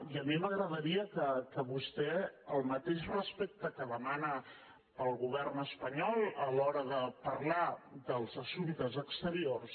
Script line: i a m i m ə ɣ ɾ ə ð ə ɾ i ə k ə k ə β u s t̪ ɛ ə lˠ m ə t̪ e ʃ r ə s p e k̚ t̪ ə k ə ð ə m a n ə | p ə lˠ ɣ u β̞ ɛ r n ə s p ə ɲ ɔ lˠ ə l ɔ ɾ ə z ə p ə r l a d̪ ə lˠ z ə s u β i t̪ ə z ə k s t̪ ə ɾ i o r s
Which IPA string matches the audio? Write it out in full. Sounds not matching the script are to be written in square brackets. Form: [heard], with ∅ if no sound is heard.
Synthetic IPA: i [ə] m i m ə ɣ ɾ ə ð ə ɾ i ə k ə k ə β u s t̪ ɛ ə lˠ m ə t̪ e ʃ r ə s p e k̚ t̪ ə k ə ð ə m a n ə | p ə lˠ ɣ u β̞ ɛ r n ə s p ə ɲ ɔ lˠ ə l ɔ ɾ ə [ð] ə p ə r l a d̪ ə lˠ z ə s u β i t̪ ə z ə k s t̪ ə ɾ i o r s